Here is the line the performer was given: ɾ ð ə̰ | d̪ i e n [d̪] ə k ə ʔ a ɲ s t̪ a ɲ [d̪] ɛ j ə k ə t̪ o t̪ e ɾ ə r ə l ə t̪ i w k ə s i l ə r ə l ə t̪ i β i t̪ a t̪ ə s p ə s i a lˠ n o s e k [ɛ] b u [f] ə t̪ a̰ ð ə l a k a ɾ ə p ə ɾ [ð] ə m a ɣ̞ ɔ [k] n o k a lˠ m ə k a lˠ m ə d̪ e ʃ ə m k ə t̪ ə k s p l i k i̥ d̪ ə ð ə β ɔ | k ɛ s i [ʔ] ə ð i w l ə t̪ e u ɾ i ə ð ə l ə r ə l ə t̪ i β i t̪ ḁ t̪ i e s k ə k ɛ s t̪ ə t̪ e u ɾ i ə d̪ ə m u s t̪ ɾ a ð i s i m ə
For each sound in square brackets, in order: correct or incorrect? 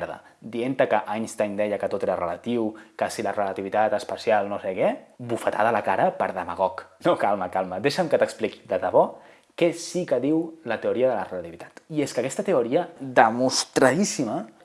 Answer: incorrect, correct, correct, correct, correct, correct, incorrect

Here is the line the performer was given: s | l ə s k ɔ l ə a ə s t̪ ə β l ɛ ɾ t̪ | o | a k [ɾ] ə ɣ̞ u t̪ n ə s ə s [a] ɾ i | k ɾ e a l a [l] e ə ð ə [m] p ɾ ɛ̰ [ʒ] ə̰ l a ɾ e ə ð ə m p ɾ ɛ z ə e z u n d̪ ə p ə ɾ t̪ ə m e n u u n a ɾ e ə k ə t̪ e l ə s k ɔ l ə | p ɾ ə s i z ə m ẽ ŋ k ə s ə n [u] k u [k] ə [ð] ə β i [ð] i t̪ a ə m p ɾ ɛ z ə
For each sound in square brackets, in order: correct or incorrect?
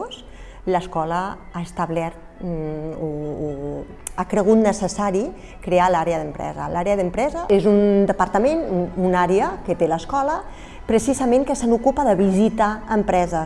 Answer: correct, correct, incorrect, correct, incorrect, correct, incorrect, correct, incorrect

